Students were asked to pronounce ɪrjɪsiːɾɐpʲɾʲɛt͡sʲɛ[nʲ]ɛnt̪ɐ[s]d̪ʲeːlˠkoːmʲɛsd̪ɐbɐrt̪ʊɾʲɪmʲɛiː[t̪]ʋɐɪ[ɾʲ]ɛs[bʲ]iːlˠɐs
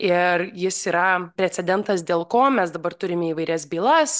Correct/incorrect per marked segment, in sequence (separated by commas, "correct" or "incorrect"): incorrect, correct, incorrect, correct, correct